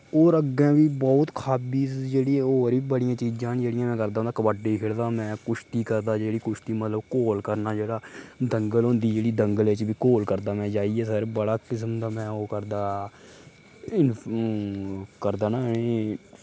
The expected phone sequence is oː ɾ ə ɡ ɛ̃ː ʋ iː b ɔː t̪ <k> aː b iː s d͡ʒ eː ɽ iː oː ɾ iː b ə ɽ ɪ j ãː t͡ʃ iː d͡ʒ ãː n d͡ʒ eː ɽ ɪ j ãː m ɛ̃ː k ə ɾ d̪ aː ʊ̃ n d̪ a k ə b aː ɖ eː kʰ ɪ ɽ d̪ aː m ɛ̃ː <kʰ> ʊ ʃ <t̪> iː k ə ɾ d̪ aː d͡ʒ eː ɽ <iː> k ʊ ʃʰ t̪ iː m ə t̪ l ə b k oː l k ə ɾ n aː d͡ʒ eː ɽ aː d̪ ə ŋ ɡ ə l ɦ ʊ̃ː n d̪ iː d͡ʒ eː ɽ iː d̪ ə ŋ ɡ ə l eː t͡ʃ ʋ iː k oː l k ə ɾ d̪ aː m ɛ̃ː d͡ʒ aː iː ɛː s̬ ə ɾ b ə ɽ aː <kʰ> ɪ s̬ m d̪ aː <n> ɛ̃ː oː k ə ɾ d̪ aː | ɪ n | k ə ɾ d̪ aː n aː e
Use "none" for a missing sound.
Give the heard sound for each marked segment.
kʰ, k, t̪, iː, k, m

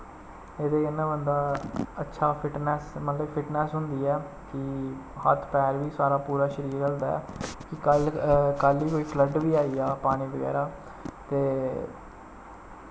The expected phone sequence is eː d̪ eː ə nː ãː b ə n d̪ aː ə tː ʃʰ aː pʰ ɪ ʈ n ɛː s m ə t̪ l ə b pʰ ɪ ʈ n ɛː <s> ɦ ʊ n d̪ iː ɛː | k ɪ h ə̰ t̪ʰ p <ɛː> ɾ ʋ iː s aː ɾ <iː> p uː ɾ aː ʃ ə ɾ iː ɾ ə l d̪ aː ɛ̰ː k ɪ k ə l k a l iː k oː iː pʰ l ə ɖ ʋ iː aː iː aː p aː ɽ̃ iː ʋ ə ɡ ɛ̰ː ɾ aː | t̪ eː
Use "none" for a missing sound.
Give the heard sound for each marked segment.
s, ɛː, aː

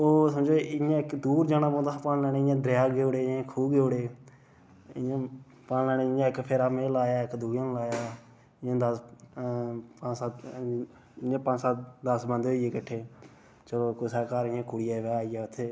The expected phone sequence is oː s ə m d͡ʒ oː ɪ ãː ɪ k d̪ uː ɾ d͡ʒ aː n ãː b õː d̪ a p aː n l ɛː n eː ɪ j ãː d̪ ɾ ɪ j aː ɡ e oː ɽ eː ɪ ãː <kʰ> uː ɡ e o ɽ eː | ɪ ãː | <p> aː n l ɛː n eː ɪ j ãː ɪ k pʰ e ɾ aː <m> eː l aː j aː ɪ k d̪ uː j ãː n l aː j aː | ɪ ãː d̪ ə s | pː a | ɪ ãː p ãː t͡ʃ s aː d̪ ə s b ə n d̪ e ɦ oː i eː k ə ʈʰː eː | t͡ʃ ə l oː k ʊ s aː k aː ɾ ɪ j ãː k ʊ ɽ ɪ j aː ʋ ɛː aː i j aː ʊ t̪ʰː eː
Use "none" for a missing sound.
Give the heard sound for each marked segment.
kʰ, p, m

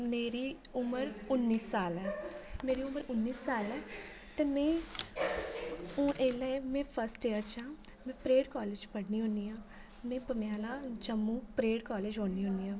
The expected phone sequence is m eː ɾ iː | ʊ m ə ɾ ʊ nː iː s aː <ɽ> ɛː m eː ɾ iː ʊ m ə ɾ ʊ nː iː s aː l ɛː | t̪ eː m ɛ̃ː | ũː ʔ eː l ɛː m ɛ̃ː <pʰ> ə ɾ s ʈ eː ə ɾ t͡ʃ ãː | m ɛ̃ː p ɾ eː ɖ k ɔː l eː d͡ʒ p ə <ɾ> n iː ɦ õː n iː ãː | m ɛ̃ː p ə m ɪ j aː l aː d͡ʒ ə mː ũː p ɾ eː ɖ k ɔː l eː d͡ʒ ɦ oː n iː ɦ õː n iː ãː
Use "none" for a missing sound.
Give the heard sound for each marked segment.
l, pʰ, ɽ

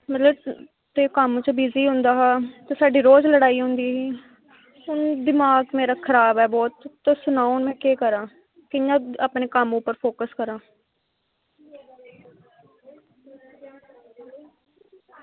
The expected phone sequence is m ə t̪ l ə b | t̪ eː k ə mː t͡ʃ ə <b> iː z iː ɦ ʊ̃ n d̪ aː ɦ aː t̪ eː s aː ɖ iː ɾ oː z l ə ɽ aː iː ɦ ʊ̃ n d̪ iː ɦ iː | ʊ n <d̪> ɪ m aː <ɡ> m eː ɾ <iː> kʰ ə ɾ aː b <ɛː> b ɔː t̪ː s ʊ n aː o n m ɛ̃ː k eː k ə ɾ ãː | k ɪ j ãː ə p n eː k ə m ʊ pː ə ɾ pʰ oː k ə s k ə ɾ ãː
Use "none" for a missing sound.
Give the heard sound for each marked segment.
b, d̪, ɡ, aː, ɛː

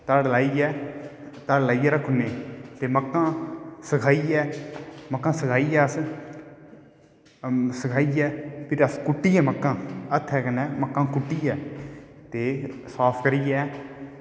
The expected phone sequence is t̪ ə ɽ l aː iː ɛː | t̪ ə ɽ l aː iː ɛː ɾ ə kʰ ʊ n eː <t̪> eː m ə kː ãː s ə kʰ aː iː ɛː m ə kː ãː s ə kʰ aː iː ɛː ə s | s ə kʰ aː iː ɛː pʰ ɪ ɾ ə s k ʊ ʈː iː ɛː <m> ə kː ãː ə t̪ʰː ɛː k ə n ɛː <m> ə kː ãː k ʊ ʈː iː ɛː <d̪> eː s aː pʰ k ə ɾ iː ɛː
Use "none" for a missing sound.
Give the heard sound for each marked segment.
t̪, m, m, t̪

